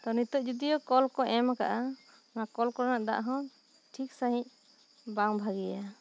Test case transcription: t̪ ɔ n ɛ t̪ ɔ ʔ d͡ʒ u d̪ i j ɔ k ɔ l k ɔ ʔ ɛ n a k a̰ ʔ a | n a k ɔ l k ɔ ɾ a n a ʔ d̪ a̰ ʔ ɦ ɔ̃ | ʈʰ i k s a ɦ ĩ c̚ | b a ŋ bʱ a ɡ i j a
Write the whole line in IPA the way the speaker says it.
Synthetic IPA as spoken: t̪ ɔ n i t̪ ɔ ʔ d͡ʒ u d̪ i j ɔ k ɔ l k ɔ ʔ ɛ m a k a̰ ʔ a | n a k ɔ l k ɔ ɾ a n a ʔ d̪ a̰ ʔ ɦ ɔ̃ | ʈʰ i k s a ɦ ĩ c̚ | b a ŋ bʱ a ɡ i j a